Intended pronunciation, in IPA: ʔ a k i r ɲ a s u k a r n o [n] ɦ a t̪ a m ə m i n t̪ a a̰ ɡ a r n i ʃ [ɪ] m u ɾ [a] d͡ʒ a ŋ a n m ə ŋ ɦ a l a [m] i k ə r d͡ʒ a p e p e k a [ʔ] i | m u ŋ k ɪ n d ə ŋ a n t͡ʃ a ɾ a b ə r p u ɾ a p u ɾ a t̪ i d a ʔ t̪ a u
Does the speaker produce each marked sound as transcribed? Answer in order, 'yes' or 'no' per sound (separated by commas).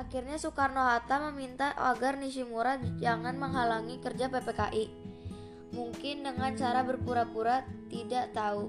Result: no, no, yes, no, yes